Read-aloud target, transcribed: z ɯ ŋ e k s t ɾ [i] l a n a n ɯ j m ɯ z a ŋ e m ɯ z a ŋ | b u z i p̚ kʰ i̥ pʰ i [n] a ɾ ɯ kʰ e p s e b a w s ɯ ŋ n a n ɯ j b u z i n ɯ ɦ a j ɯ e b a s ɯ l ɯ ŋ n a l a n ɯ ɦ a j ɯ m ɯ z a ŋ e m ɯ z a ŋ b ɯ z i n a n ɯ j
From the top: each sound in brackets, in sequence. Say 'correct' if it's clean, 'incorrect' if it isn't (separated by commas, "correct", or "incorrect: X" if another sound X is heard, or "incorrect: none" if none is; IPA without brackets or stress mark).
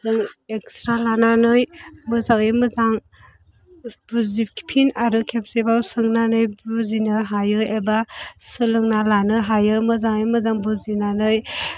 incorrect: a, correct